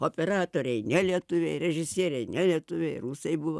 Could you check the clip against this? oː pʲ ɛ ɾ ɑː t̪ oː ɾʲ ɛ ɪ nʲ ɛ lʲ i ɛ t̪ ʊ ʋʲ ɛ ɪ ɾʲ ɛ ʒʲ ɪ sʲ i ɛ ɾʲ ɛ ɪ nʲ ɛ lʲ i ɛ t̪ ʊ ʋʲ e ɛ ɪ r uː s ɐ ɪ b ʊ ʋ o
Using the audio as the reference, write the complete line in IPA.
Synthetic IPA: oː pʲ ɛ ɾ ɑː t̪ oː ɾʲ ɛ ɪ nʲ ɛ lʲ i ɛ t̪ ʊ ʋʲ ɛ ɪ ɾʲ ɛ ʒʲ ɪ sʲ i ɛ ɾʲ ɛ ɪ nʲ ɛ lʲ i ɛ t̪ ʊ ʋʲ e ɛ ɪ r uː s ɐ ɪ b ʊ ʋ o